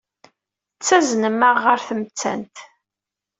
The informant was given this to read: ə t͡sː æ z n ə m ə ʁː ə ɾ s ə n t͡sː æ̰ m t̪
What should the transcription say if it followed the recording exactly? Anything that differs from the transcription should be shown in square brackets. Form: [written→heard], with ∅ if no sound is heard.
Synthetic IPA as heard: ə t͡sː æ z n ə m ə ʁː ə ɾ [s→θ] ə [n→m] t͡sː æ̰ [m→n] t̪